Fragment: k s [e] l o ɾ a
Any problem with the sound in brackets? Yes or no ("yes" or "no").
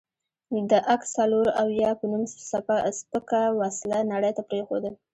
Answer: yes